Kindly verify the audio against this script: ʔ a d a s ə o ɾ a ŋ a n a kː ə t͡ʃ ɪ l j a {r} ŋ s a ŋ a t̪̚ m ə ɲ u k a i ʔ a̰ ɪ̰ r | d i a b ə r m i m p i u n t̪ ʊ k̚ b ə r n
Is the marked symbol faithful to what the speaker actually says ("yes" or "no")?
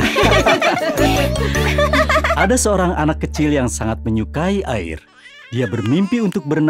no